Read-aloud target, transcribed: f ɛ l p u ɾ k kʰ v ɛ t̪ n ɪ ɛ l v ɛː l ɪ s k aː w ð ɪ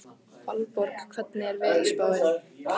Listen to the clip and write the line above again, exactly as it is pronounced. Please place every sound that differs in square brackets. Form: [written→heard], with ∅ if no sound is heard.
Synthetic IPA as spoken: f [ɛ→a] l p [u→ɔ] ɾ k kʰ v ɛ t̪ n ɪ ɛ [l→ɾ] v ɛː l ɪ s [k→p] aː w ð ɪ

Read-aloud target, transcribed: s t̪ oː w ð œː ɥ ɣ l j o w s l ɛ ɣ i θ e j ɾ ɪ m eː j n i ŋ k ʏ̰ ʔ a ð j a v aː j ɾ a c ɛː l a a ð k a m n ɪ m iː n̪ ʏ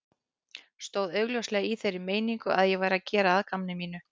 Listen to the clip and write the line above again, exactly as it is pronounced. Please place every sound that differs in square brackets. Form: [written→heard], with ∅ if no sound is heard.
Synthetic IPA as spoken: s t̪ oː w ð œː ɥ ɣ l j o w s l ɛ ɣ i θ e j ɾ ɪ m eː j n i ŋ k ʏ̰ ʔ a ð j [a→ɛ] v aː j ɾ a c ɛː [l→ɾ] a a ð k a m n ɪ m iː n̪ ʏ

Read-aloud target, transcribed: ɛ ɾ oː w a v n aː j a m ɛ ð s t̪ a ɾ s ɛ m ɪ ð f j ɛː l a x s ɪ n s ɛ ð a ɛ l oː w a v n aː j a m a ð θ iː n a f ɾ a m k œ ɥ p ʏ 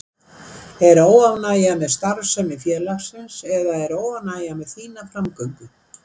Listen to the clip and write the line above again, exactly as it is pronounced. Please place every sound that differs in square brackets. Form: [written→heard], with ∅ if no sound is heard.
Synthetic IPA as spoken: ɛ ɾ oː w a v n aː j a m ɛ ð s t̪ a ɾ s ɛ m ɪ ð f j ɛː l a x s ɪ n s ɛ ð a ɛ [l→ɾ] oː w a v n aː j a m [a→ɛ] ð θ iː n a f ɾ a m k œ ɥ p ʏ

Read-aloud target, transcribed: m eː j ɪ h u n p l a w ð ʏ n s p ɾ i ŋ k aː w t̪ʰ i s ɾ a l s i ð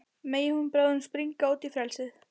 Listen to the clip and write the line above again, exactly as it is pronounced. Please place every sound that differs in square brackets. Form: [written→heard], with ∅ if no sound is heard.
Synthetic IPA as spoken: m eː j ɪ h u n p [l→ɾ] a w ð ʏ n s p ɾ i ŋ k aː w [t̪ʰ→t̪] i [s→f] ɾ [a→ɛ] l s [i→ɪ] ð

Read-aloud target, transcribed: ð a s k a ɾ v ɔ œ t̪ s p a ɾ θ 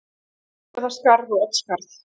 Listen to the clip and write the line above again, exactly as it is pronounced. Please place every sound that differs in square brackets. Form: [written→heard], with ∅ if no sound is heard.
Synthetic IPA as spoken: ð a s k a ɾ [v→ð] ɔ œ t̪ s [p→k] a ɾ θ

